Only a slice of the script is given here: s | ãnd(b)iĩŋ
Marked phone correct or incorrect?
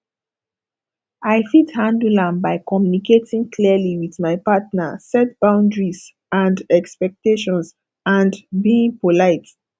correct